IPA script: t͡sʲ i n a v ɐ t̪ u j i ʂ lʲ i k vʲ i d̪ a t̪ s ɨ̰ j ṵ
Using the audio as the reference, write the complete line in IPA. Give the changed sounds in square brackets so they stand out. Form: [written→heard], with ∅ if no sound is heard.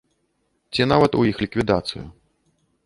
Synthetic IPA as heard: t͡sʲ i n a v ɐ t̪ u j i [ʂ→x] lʲ i k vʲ i d̪ a t̪ s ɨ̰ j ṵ